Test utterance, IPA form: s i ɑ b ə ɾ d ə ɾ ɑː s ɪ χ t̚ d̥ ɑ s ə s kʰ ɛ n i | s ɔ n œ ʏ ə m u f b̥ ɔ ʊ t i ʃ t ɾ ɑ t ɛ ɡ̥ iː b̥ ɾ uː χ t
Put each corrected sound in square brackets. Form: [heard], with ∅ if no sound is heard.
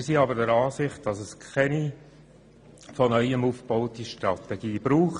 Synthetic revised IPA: s i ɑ b ə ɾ d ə ɾ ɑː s ɪ χ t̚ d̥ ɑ s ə s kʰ ɛ n i | [f] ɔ n œ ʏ ə m u f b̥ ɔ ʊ t i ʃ t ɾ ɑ t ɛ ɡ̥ iː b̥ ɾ uː χ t